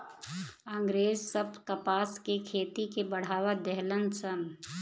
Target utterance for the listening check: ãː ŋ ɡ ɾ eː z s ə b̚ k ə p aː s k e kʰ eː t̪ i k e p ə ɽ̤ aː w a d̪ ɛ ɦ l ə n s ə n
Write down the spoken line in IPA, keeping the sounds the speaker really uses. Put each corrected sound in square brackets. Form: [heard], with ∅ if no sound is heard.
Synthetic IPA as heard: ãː ŋ ɡ ɾ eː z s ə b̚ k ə p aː s k e kʰ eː t̪ i k e [b] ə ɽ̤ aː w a d̪ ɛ ɦ l ə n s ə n